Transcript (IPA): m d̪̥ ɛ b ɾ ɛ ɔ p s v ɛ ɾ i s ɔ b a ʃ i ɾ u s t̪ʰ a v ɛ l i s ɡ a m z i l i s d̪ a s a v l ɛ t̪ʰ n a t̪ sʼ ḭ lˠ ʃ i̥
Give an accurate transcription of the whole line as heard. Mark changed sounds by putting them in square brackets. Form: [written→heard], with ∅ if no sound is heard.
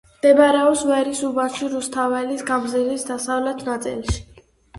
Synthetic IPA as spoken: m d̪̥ ɛ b ɾ ɛ ɔ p s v ɛ ɾ i s [ɔ→u] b a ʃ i ɾ u s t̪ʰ a v ɛ l i s ɡ a m z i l i s d̪ a s a v l ɛ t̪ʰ n a t̪ sʼ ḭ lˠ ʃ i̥